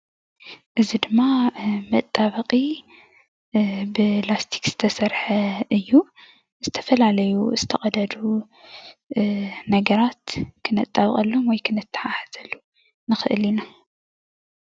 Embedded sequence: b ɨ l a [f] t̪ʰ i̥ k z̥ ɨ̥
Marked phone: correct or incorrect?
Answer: incorrect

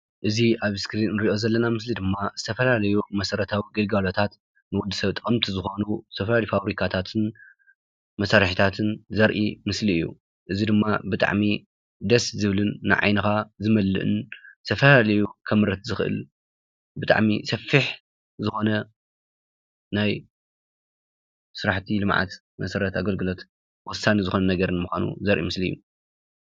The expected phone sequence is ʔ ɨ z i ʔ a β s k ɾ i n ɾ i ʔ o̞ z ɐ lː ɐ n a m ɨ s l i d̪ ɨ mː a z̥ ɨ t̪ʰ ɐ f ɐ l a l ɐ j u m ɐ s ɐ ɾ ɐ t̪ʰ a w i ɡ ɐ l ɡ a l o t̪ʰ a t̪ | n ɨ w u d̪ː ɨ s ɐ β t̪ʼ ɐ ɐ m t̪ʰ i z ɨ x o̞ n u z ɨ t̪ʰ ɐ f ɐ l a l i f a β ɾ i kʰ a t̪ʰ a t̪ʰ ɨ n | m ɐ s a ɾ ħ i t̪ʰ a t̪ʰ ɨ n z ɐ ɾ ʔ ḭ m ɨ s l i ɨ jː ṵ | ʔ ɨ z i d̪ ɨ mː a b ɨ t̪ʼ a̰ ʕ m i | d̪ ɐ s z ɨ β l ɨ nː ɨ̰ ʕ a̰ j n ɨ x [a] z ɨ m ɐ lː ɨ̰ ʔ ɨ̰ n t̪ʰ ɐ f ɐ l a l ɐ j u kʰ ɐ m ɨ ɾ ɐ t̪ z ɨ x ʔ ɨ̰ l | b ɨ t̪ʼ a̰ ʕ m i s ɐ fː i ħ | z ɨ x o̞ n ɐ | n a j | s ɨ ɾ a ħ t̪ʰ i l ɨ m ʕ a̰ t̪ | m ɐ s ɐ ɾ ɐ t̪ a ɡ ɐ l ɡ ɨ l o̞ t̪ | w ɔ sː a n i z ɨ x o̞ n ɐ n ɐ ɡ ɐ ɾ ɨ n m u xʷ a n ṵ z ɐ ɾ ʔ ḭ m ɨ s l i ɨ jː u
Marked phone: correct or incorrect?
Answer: correct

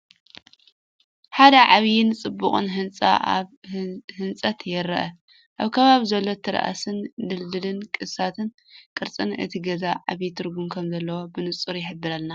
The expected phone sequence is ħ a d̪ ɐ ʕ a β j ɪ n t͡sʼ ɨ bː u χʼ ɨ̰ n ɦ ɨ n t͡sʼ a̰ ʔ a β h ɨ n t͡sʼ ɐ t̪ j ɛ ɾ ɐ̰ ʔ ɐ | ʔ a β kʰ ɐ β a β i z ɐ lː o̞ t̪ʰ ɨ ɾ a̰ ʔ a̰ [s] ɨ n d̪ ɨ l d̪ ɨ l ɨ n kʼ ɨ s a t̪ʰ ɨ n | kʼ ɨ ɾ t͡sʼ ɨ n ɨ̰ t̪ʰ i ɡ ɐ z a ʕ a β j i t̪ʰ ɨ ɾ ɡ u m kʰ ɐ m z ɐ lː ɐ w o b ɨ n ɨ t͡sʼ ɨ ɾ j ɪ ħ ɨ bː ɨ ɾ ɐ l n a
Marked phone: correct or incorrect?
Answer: correct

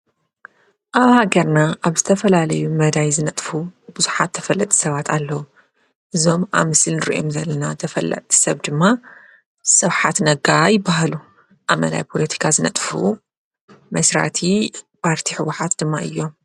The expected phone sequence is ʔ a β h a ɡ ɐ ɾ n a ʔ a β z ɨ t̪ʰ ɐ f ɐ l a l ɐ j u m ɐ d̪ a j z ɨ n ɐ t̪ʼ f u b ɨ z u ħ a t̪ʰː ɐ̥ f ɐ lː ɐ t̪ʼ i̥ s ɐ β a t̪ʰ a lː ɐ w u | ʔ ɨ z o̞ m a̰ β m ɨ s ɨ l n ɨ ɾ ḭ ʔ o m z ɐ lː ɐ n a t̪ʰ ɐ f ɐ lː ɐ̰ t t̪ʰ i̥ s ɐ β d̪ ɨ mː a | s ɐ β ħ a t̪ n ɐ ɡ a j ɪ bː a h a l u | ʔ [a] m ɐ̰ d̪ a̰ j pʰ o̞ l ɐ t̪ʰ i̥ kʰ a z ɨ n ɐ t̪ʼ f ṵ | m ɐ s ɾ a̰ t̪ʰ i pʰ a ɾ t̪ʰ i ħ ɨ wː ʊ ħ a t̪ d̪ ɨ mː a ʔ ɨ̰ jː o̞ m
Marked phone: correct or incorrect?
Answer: correct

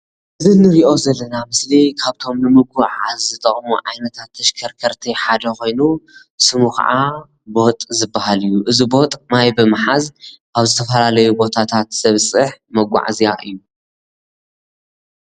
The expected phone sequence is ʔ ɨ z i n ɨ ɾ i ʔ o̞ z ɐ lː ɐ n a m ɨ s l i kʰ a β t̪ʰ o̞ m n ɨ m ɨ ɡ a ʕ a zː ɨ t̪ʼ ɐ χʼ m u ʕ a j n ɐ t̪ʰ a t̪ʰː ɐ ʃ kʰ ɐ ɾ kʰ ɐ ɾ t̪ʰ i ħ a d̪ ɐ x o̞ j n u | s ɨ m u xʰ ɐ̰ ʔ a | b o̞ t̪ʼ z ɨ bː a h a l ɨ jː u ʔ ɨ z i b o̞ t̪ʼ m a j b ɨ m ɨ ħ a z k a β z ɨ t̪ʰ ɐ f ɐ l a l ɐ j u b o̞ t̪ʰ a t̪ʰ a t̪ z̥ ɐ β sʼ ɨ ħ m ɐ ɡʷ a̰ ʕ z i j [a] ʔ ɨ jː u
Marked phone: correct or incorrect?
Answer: correct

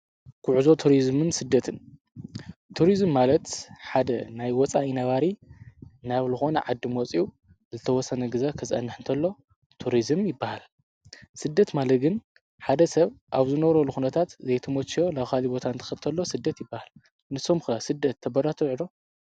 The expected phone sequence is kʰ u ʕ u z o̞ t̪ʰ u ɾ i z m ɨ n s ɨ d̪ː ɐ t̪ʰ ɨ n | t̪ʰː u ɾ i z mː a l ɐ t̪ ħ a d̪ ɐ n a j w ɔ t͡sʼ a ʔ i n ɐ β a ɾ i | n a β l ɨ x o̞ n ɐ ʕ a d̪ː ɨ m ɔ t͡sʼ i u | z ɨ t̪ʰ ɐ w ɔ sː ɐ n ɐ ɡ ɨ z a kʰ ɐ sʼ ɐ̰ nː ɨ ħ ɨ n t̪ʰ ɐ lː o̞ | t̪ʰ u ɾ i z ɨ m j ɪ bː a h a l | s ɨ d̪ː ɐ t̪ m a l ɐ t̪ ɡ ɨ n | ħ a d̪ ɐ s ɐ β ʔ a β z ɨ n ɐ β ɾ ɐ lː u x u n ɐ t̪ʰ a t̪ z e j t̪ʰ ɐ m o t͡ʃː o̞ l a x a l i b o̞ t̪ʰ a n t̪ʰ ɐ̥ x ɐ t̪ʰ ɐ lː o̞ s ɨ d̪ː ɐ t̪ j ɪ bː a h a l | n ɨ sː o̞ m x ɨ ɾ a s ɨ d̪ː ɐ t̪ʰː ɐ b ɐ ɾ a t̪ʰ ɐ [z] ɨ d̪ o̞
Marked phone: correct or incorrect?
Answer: incorrect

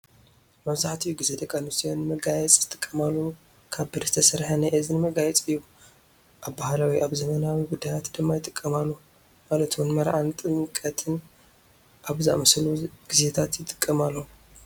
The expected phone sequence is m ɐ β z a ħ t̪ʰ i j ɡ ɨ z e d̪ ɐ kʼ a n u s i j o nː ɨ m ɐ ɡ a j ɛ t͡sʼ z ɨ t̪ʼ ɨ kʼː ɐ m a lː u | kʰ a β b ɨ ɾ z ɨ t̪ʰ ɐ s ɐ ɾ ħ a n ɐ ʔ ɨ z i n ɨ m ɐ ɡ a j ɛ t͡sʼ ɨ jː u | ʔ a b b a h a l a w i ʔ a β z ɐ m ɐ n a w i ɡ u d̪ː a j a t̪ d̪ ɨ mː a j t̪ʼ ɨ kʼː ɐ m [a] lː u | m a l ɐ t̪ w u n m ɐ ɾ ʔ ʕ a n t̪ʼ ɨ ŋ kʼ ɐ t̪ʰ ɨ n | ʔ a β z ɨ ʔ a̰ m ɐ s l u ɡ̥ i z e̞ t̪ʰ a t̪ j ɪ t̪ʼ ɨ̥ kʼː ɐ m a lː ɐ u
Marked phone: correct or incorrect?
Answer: correct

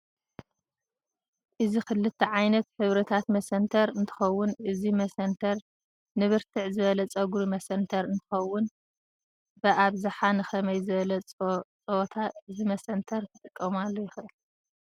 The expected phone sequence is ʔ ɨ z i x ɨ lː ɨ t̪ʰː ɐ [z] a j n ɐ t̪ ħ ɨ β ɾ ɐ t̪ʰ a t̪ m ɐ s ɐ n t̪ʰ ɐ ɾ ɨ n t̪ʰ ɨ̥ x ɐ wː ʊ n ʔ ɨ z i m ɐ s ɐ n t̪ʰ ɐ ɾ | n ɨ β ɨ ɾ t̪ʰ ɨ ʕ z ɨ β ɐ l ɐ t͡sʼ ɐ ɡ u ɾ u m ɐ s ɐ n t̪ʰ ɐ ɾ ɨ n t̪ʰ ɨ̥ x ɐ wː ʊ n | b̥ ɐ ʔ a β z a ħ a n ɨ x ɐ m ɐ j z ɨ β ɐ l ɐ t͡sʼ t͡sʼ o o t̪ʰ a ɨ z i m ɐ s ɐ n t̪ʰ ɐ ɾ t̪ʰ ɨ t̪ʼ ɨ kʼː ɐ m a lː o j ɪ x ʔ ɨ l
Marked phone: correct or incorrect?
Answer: incorrect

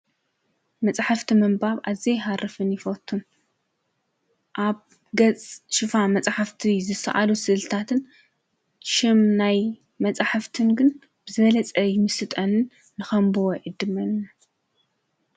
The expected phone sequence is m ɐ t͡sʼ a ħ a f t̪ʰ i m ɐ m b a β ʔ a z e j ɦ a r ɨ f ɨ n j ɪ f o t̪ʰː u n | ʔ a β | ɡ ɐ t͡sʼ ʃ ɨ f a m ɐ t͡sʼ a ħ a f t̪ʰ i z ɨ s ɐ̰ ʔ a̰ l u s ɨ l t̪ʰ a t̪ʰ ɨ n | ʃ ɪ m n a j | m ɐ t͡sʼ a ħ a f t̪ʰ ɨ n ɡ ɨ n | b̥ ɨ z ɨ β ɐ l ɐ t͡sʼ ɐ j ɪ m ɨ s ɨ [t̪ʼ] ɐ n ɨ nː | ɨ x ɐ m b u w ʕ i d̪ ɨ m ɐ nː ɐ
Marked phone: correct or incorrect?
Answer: correct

